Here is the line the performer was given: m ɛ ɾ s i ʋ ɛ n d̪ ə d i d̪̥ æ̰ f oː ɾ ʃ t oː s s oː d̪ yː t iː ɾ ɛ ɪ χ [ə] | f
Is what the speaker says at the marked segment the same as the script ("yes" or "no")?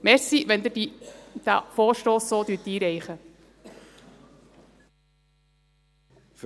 yes